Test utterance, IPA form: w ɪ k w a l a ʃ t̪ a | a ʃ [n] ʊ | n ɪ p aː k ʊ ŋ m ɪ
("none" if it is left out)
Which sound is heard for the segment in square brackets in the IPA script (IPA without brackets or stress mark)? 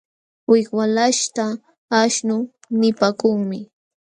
n